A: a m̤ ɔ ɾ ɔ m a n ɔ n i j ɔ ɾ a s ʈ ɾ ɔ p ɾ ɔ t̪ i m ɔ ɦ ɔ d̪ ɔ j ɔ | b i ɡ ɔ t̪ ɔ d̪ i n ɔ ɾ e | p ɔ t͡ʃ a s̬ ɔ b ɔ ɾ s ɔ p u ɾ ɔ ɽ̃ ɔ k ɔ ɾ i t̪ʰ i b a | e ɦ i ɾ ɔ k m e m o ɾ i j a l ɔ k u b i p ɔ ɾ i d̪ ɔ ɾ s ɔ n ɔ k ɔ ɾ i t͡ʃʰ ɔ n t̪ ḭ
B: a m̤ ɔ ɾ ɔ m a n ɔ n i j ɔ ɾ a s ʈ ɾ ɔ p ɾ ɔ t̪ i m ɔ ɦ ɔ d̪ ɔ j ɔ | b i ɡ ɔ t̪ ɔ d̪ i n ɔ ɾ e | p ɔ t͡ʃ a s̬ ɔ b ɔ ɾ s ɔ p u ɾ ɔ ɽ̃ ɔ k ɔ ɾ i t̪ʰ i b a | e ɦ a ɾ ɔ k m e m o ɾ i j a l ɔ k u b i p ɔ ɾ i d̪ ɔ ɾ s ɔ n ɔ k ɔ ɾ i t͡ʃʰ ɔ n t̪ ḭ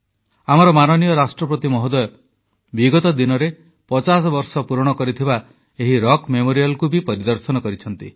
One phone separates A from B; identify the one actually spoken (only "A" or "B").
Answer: A